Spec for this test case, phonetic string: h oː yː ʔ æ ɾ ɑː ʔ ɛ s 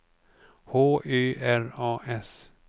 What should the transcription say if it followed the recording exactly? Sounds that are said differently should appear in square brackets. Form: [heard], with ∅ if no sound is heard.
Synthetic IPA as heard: h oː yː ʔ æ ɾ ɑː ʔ ɛ s